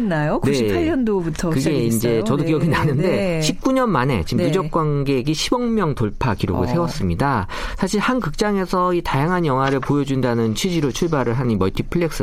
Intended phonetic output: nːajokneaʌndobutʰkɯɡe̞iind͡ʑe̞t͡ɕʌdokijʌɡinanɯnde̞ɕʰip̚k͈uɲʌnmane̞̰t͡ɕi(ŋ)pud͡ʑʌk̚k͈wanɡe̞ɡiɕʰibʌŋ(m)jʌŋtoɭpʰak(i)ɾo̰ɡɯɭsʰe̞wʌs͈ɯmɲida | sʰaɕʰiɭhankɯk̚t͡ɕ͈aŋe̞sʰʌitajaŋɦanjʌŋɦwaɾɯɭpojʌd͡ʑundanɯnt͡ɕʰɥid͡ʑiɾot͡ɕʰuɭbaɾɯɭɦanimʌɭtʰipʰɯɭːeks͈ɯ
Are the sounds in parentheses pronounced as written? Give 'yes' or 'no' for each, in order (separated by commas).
no, yes, yes